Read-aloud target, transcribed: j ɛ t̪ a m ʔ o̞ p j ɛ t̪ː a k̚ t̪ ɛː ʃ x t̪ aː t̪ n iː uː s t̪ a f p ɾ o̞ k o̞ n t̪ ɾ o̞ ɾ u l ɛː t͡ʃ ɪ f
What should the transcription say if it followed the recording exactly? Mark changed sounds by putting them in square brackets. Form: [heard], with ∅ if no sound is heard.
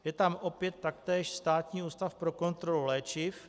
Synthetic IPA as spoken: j ɛ t̪ a m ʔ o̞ p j ɛ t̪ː a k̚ t̪ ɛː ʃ [s] t̪ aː t̪ [ɲ] iː uː s t̪ a f p ɾ o̞ k o̞ n t̪ ɾ o̞ [l] u l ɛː t͡ʃ ɪ f